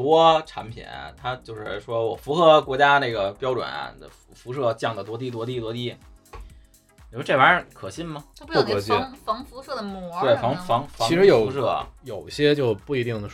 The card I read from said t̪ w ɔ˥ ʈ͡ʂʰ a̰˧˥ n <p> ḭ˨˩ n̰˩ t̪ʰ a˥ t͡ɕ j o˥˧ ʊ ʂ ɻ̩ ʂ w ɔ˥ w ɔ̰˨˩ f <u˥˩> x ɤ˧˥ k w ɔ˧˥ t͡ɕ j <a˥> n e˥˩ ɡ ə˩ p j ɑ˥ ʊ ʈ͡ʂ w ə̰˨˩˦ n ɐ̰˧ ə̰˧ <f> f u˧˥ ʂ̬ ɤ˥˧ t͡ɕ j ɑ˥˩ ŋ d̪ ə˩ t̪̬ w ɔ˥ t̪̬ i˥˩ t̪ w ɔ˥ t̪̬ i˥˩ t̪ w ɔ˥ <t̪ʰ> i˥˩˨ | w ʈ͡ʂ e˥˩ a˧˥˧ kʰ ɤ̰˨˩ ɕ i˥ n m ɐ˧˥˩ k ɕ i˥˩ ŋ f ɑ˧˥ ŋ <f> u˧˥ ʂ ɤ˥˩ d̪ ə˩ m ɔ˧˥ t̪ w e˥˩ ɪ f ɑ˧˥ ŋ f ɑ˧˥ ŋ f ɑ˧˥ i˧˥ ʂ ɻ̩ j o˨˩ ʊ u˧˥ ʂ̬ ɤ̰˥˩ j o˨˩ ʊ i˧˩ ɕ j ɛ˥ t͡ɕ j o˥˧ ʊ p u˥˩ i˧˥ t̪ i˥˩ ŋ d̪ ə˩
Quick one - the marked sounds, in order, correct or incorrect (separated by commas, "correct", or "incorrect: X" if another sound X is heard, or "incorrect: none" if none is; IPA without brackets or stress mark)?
incorrect: pʰ, incorrect: u˧˥, correct, correct, incorrect: t̪, correct